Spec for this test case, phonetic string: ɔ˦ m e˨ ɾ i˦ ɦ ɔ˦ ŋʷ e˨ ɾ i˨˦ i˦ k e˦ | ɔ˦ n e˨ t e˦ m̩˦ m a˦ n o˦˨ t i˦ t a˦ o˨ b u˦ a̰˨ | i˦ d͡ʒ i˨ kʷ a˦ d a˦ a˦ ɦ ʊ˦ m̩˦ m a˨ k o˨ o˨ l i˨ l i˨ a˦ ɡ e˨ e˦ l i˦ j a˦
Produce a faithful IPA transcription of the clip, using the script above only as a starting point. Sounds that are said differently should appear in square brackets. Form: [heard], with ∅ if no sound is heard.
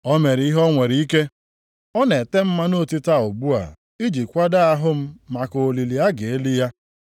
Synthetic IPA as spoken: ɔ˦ m e˨ ɾ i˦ ɦ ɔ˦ ŋʷ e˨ ɾ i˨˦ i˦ k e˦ | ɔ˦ n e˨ t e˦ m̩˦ m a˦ n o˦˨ t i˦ t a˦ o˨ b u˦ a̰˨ | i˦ d͡ʒ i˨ kʷ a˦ d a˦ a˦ ɦ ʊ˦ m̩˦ m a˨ k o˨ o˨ l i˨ l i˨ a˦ ɡ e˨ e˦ l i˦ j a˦